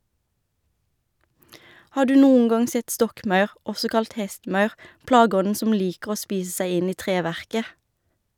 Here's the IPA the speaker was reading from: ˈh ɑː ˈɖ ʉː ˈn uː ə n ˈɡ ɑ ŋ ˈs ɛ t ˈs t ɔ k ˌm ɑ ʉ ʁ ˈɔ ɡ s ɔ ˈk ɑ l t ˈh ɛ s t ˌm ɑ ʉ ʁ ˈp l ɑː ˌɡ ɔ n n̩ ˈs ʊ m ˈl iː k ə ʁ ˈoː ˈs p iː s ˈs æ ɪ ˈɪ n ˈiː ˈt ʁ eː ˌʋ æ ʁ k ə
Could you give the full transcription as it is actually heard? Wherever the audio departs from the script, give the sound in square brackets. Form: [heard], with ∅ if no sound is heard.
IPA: ˈh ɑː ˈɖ ʉː ˈn uː ə [ŋ] ˈɡ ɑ ŋ ˈs ɛ t ˈs t ɔ k ˌm ɑ ʉ ʁ ˈɔ [∅] s ɔ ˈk ɑ l t ˈh ɛ s t ˌm ɑ ʉ ʁ ˈp l ɑː ˌɡ ɔ n n̩ ˈs ʊ m ˈl iː k ə ʁ ˈoː ˈs p iː s ˈs æ ɪ ˈɪ n ˈiː ˈt ʁ eː ˌʋ æ ʁ k ə